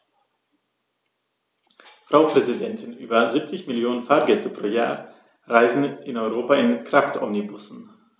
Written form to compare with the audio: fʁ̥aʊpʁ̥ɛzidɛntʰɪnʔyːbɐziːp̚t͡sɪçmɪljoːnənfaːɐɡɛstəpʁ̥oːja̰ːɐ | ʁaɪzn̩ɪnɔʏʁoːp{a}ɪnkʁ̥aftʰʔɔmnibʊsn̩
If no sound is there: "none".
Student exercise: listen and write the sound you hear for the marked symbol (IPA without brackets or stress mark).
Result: a